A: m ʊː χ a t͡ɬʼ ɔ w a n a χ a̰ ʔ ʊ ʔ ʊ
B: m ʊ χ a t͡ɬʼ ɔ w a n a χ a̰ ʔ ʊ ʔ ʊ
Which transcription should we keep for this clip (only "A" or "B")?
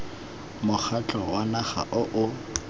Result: B